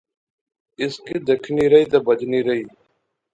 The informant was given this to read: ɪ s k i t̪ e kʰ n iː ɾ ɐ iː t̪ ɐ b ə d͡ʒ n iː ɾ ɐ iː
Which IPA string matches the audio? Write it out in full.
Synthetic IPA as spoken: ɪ s k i d̪ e kʰ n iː ɾ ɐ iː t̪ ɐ b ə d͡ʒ n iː ɾ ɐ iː

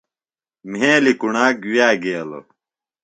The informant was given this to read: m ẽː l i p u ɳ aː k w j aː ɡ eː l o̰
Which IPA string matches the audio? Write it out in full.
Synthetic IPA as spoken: m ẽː l i k u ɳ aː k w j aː ɡ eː l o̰

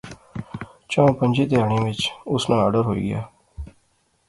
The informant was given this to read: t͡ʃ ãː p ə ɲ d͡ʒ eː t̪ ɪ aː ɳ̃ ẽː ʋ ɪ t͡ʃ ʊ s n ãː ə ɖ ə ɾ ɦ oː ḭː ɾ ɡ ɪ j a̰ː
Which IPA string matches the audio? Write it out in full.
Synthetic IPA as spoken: t͡ʃ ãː p ə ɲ d͡ʒ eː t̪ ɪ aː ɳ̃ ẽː ʋ ɪ t͡ʃ ʊ s n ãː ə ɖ ə ɾ ɦ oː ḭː ɡ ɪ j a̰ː

